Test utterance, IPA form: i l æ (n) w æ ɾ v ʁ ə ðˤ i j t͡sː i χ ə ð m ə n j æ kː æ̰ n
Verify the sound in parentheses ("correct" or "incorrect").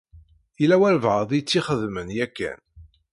incorrect